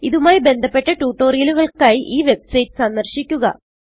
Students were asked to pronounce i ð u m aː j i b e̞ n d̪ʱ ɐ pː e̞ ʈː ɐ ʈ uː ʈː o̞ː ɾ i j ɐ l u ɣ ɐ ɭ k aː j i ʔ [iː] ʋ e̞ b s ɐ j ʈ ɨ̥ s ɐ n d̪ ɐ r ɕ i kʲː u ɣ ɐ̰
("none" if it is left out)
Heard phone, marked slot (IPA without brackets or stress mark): iː